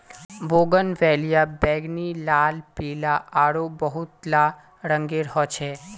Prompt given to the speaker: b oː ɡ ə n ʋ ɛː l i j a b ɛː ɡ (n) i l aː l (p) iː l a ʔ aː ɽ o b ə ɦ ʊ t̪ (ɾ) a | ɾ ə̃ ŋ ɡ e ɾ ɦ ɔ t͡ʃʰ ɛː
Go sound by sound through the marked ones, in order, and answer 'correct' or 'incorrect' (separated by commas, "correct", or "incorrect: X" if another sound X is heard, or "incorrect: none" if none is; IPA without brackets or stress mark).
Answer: correct, correct, incorrect: l